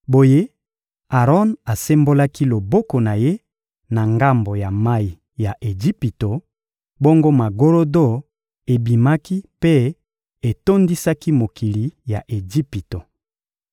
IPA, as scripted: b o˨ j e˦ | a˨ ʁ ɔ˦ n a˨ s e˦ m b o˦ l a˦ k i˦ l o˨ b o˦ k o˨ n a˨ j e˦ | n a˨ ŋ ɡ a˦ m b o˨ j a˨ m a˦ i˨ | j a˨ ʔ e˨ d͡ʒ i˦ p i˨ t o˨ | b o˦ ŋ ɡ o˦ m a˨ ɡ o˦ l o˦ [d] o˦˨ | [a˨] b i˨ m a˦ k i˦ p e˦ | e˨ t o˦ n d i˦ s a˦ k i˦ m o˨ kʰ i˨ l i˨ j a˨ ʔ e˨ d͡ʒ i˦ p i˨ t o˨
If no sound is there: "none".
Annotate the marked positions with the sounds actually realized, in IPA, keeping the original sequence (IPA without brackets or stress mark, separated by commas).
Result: d, e˨